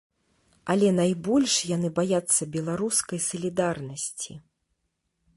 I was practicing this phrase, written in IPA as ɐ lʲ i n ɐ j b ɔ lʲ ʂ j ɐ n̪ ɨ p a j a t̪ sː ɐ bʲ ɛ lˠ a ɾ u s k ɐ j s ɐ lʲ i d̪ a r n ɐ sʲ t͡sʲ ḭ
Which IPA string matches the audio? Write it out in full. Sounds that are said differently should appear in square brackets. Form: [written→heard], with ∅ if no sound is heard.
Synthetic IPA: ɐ lʲ [i→ɛ] n [ɐ→a] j b ɔ lʲ ʂ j [ɐ→a] n̪ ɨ [p→b] a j a t̪ sː ɐ bʲ ɛ lˠ a ɾ u s k ɐ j s ɐ lʲ i d̪ a r n ɐ sʲ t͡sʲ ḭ